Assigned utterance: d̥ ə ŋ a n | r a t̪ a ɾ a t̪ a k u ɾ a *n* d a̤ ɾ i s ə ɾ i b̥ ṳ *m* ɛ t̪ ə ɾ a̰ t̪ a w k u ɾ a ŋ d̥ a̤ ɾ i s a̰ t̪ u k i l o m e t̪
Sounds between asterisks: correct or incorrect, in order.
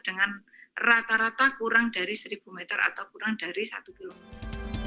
incorrect: ŋ, correct

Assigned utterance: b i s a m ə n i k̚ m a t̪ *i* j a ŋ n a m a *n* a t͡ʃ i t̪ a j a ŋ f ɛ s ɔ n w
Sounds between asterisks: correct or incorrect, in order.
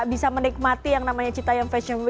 correct, incorrect: ɲ

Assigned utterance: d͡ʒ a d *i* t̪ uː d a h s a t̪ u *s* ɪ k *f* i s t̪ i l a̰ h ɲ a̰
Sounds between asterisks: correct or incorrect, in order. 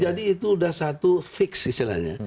incorrect: iː, incorrect: f, incorrect: s

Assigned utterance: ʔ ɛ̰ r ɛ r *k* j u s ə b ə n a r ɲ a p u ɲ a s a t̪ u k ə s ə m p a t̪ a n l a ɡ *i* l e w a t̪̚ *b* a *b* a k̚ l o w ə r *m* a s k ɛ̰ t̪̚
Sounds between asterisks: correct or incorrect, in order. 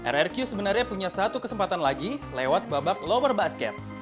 correct, correct, correct, correct, incorrect: b

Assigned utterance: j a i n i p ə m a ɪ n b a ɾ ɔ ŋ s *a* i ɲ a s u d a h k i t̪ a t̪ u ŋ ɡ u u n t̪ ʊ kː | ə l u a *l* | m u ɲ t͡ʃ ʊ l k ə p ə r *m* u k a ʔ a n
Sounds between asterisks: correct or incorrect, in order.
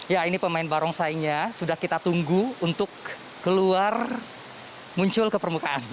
correct, incorrect: r, correct

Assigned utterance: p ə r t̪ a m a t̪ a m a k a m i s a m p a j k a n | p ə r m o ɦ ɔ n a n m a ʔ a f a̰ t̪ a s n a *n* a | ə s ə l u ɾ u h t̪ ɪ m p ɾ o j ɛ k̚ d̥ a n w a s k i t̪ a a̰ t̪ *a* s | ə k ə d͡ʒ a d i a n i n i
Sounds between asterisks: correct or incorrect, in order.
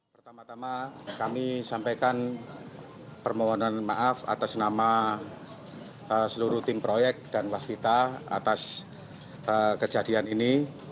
incorrect: m, correct

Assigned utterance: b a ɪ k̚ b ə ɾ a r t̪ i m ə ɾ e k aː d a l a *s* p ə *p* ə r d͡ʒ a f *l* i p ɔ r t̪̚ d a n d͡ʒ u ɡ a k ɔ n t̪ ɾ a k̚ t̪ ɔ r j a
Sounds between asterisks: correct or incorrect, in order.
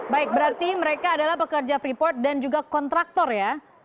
incorrect: h, incorrect: k, incorrect: ɾ

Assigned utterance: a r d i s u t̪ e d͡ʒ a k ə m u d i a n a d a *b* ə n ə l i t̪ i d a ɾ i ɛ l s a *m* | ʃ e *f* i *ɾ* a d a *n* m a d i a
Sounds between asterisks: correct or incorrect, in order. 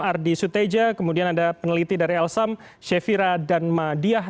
incorrect: p, correct, correct, correct, correct

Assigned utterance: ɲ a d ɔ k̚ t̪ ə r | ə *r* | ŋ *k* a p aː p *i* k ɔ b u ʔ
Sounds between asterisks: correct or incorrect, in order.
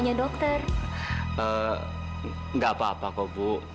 incorrect: none, incorrect: ɡ, incorrect: a

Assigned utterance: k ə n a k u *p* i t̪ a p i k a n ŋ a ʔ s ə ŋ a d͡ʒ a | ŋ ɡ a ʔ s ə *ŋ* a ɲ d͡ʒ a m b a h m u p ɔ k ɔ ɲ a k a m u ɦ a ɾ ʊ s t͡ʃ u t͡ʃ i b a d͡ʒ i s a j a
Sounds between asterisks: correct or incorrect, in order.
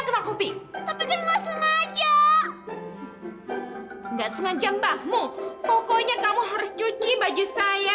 correct, correct

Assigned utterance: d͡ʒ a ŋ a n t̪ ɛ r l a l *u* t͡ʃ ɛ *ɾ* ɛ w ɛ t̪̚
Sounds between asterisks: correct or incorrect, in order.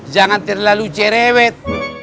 correct, correct

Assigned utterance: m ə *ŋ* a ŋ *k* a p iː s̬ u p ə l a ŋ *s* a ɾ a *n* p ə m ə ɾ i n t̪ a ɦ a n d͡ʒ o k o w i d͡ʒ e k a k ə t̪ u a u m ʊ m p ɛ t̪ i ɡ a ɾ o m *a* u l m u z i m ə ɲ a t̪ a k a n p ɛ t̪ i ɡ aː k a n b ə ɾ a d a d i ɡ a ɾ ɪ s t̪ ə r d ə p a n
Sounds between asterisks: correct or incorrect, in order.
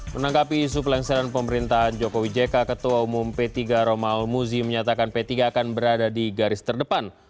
incorrect: n, incorrect: ɡ, correct, correct, correct

